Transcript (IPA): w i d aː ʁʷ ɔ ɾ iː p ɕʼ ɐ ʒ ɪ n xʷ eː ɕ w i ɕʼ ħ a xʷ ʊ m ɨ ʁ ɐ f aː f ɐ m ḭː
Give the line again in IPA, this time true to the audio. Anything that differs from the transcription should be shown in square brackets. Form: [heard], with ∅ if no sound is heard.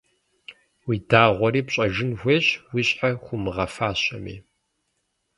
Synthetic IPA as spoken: w i d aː ʁʷ ɔ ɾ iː p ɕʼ ɐ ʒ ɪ n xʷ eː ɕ w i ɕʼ ħ a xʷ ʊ m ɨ ʁ ɐ f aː [ɕ] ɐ m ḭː